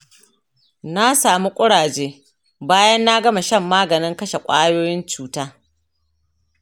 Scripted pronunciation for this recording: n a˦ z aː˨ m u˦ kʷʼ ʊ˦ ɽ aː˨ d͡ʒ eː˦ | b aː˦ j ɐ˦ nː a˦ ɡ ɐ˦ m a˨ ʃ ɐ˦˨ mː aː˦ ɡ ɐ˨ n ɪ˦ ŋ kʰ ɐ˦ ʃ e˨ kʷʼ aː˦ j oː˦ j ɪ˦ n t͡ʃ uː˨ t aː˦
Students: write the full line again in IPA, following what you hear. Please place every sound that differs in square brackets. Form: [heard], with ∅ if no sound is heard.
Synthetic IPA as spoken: n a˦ [s] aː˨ m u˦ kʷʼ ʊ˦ ɽ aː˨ d͡ʒ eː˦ | b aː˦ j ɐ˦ nː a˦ ɡ ɐ˦ m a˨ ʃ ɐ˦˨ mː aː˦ ɡ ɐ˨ n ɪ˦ ŋ [k] ɐ˦ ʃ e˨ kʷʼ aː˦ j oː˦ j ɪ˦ n t͡ʃ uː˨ t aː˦